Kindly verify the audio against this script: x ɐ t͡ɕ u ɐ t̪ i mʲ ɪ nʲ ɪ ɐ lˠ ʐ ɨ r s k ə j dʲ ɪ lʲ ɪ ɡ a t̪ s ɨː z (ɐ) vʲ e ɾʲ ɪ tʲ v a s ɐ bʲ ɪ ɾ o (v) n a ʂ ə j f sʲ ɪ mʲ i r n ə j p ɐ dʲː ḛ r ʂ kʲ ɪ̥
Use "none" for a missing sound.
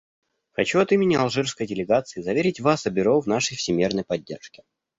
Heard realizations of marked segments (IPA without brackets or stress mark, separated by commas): ɐ, v